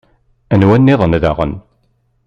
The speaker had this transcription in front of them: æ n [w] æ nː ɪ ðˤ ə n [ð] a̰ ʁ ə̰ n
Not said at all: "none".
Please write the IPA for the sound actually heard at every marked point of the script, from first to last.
w, ð

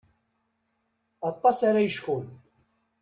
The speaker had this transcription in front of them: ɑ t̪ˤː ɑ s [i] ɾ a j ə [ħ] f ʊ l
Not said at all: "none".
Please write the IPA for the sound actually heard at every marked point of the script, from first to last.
a, ʃ

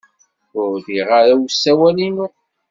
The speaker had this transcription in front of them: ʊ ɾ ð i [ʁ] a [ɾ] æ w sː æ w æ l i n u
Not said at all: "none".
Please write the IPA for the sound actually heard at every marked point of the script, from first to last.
ʁ, ɾ

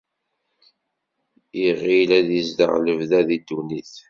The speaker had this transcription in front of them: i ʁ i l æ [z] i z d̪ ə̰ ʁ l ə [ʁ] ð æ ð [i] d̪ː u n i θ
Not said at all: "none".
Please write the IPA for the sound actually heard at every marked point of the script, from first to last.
ð, v, i

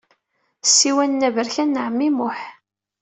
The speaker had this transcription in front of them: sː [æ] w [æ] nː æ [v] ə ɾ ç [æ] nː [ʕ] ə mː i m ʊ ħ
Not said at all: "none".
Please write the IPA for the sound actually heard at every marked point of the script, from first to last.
i, æ, v, æ, ʕ

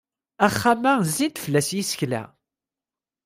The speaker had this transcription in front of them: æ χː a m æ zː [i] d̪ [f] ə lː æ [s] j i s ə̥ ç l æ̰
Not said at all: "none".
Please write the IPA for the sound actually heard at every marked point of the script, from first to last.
i, f, s

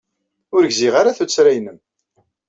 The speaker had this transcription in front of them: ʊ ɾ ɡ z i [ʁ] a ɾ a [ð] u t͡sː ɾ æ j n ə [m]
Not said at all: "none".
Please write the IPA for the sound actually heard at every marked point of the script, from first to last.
ʁ, θ, m

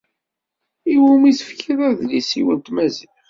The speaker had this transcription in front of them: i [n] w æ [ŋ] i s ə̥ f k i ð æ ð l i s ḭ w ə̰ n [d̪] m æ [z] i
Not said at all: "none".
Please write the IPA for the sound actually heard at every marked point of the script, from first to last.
none, m, t̪, z

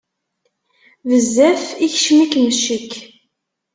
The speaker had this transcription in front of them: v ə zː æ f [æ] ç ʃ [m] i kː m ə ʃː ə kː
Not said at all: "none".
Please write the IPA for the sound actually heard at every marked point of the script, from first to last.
i, m

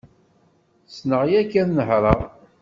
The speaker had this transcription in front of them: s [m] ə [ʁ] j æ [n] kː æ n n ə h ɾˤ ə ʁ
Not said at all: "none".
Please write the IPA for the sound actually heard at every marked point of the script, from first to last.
n, ʁ, none

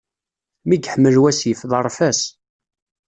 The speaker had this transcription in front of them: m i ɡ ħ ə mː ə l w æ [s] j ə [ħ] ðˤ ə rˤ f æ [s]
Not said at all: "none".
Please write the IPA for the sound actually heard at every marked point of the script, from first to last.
s, f, s

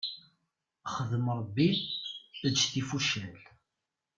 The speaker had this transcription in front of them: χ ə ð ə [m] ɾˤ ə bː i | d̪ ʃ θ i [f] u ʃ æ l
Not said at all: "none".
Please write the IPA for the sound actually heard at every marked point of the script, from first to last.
m, f

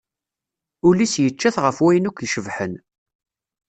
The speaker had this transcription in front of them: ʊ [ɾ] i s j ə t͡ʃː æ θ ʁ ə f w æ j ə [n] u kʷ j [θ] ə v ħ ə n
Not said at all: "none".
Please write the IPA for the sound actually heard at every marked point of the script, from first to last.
l, n, ʃ

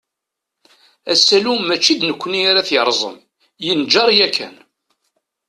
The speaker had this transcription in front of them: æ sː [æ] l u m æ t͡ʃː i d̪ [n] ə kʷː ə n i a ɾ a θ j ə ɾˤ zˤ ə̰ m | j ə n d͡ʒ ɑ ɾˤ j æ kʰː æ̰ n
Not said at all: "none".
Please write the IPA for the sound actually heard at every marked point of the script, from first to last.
æ, n

